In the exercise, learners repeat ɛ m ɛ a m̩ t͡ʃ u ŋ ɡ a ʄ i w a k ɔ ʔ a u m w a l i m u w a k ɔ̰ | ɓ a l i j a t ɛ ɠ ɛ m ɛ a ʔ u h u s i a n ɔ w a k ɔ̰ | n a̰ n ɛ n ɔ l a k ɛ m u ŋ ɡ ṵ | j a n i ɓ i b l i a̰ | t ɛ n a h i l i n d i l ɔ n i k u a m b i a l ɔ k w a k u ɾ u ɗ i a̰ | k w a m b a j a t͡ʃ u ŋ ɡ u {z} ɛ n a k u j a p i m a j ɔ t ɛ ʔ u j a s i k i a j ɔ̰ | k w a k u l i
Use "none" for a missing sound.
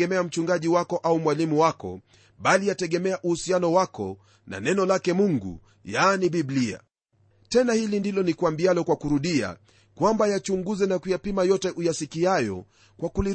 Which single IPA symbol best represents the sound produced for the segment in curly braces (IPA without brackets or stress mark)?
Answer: z